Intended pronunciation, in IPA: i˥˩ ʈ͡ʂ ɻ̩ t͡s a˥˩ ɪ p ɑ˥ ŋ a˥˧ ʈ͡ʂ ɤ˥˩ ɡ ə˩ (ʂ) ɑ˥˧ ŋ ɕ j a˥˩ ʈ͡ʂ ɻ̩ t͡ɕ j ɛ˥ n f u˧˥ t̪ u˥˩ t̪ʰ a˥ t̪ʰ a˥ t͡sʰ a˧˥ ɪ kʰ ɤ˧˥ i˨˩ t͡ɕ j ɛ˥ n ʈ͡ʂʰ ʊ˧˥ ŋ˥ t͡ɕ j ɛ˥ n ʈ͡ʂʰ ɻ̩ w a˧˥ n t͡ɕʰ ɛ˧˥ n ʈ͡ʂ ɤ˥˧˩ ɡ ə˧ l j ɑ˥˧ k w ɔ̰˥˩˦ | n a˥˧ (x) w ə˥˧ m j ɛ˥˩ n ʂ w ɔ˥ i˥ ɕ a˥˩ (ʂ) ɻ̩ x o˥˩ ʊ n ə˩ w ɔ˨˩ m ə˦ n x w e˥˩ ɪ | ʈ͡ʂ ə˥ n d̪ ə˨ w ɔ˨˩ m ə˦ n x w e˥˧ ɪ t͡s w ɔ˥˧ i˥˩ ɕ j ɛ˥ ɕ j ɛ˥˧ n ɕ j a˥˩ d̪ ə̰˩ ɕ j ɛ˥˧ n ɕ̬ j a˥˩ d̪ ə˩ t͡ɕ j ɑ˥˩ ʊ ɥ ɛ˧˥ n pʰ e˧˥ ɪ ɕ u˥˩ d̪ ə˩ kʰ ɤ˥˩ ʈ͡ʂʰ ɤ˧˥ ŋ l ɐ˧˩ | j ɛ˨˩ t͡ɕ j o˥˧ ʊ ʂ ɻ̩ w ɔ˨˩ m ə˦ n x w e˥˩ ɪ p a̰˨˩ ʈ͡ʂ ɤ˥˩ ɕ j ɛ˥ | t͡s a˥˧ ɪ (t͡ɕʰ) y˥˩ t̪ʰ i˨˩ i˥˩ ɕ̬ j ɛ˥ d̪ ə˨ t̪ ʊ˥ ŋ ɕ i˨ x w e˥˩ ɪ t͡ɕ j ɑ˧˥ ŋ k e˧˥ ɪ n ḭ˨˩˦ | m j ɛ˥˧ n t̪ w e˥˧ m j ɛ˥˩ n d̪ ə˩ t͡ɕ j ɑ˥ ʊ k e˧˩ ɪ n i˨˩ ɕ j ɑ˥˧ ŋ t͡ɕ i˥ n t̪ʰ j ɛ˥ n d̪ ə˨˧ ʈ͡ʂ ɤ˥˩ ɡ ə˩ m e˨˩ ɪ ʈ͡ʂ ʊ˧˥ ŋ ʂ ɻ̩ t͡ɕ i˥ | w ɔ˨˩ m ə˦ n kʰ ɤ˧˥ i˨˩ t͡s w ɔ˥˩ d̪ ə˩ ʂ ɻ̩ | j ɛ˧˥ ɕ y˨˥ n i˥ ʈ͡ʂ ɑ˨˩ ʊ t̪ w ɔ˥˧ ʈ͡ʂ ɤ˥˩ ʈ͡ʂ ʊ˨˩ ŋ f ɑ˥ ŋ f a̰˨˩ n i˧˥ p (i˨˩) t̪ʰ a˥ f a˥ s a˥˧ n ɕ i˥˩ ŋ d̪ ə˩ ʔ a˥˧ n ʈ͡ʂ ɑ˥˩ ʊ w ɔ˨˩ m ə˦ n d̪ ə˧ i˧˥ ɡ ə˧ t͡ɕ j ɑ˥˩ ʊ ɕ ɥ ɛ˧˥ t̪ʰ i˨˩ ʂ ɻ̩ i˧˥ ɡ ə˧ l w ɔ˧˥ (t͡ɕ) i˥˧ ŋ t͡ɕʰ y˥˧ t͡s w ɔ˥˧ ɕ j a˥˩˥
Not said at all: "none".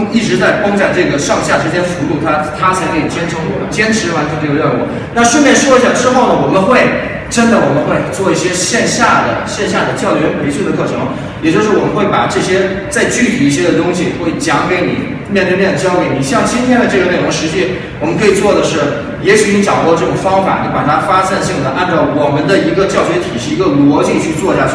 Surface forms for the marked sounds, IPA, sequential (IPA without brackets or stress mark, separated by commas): ʂ, ʂ, ʈ͡ʂ, t͡ɕ, a˨˩, t͡ɕ